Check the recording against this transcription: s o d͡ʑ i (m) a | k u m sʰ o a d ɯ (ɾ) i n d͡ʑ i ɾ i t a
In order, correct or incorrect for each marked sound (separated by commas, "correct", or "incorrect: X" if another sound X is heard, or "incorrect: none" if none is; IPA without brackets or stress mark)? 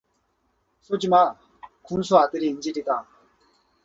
correct, correct